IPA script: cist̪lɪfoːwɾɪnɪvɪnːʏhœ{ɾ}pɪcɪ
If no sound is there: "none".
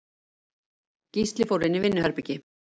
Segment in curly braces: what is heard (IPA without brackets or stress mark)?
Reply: ɾ